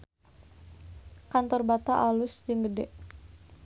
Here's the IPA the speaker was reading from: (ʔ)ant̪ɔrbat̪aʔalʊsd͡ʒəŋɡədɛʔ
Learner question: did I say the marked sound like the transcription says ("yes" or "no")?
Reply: no